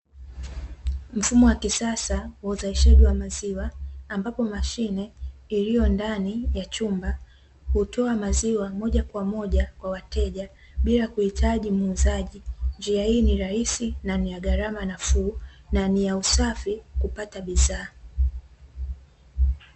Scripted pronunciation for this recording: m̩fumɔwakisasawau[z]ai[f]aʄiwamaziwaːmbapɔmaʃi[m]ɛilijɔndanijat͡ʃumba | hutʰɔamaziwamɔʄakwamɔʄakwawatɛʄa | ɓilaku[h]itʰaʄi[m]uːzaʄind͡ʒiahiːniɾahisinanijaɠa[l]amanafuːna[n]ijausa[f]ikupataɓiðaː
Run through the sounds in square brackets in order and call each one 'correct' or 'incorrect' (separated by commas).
correct, incorrect, incorrect, correct, correct, incorrect, correct, correct